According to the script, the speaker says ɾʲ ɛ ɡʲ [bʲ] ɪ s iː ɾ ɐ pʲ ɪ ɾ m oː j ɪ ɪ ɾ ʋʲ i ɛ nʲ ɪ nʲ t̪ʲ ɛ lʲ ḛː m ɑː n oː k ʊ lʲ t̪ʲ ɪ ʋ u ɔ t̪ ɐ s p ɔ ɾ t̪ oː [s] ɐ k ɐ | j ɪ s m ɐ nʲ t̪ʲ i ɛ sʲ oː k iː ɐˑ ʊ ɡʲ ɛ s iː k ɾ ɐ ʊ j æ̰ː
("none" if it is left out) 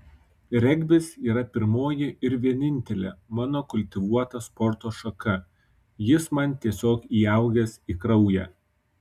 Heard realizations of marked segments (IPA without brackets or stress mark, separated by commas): bʲ, ʃ